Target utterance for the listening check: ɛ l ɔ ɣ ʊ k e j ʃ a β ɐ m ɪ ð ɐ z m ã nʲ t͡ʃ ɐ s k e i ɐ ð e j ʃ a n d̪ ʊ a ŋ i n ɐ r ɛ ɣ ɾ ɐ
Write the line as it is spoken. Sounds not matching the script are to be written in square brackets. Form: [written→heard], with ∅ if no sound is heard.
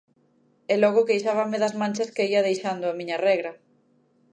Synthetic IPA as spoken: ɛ l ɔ ɣ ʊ k e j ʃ a β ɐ m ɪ ð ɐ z m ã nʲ t͡ʃ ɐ s k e i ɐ ð e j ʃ a n d̪ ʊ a [ŋ→m] i [n→ɲ] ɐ r ɛ ɣ ɾ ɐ